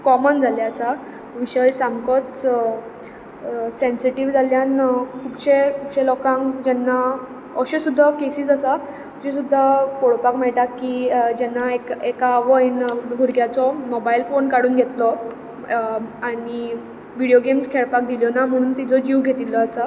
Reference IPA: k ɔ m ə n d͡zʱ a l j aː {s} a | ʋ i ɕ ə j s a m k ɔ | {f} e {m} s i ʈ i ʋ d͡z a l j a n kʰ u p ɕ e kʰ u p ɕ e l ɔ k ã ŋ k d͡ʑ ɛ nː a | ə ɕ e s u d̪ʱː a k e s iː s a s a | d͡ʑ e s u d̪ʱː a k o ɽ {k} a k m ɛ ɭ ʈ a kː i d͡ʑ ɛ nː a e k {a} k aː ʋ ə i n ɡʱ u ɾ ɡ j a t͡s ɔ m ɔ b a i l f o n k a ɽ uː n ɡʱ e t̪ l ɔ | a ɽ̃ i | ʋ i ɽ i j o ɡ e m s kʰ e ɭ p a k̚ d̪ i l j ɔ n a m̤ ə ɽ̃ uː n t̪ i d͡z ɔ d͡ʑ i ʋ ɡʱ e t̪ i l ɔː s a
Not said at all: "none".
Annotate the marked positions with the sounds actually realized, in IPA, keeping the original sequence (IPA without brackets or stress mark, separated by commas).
s, s, n, p, e